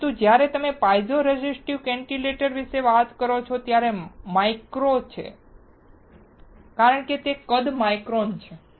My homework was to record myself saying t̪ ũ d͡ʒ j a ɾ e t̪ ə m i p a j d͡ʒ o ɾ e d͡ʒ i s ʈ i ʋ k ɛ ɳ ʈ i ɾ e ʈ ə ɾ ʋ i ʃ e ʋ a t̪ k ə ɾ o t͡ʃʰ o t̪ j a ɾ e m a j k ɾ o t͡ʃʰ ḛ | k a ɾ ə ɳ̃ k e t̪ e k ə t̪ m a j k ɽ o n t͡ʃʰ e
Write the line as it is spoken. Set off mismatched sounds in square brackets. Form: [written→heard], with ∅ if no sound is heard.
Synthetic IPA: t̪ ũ d͡ʒ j a ɾ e t̪ ə m [i→e] p a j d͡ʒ o ɾ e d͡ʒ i s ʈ i ʋ k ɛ ɳ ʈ i [ɾ→l] e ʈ ə ɾ ʋ i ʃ e ʋ a t̪ k ə ɾ o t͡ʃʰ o t̪ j a ɾ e m a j k ɾ o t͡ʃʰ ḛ | k a ɾ ə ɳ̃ k e t̪ e k ə [t̪→d̪] m a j k [ɽ→ɾ] o n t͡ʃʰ e

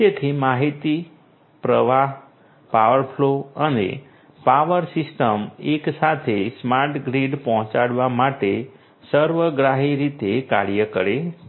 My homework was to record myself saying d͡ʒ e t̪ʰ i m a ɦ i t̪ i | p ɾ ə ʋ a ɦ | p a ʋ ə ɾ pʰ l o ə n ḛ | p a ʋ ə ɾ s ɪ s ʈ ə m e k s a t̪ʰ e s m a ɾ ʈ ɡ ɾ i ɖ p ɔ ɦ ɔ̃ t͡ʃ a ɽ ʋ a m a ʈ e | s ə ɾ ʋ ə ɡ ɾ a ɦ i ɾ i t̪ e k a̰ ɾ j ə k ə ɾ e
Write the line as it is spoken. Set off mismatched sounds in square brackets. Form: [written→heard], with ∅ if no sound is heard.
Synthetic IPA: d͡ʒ e t̪ʰ i m a ɦ i t̪ i | p ɾ ə ʋ a ɦ | p a ʋ ə ɾ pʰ l o ə n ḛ | p a ʋ ə ɾ s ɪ s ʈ ə m e k s a t̪ʰ e s m a ɾ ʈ ɡ ɾ i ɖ p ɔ ɦ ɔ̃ t͡ʃ a ɽ ʋ a m a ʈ e | s ə ɾ ʋ ə ɡ ɾ a ɦ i ɾ i t̪ e k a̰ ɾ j ə k ə ɾ e

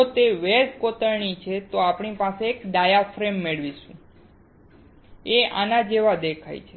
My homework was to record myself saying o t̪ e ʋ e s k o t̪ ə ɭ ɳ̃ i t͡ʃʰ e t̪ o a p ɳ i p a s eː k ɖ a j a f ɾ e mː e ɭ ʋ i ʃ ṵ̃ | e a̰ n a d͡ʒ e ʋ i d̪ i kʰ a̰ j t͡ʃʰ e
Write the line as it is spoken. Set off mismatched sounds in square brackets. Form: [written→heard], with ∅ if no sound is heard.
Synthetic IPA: o t̪ e ʋ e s k o t̪ ə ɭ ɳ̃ i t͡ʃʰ e t̪ o a p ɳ i p a s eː k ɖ a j a f ɾ e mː e ɭ ʋ i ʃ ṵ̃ | e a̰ n a d͡ʒ e ʋ [i→a] d̪ [i→e] kʰ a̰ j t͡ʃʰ e

